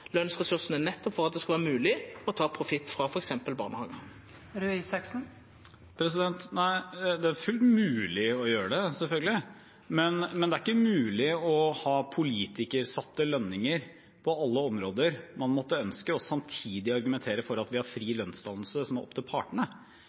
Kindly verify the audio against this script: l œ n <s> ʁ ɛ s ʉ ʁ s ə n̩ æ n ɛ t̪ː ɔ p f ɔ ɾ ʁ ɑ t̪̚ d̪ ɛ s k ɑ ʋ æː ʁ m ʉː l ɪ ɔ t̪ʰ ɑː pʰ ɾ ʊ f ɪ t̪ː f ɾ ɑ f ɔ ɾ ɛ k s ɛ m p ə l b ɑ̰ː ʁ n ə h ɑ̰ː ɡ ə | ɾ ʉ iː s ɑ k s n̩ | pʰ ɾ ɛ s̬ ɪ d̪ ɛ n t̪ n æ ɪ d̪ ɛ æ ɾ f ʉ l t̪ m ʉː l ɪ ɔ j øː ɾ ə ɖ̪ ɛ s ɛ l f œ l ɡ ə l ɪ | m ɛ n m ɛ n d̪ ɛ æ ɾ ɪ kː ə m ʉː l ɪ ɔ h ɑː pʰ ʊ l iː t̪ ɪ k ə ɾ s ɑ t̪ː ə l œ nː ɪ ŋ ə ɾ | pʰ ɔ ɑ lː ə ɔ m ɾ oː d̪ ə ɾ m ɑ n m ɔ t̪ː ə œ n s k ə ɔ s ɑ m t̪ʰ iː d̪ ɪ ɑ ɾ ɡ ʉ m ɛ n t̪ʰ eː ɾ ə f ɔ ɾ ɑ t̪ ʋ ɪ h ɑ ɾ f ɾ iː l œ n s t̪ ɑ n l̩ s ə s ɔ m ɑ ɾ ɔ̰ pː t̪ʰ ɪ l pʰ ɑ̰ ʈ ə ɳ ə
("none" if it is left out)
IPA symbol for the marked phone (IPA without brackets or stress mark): s